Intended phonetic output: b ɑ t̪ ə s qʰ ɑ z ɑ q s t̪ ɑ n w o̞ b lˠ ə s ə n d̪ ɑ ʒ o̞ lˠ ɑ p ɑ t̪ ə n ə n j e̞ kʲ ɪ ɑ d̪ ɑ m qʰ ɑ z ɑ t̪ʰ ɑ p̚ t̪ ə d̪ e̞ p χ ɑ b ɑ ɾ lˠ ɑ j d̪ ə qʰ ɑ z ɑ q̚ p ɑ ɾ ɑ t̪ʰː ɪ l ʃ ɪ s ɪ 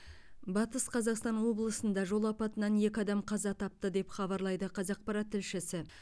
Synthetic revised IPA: b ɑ t̪ ə s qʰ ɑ z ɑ q s t̪ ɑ n w o̞ b lˠ ə s ə n d̪ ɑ ʒ o̞ lˠ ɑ p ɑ t̪ ə n ɑ n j e̞ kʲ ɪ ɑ d̪ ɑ m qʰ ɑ z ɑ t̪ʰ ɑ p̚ t̪ ə d̪ e̞ p χ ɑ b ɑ ɾ lˠ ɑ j d̪ ə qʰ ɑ z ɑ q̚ p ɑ ɾ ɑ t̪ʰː ɪ l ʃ ɪ s ɪ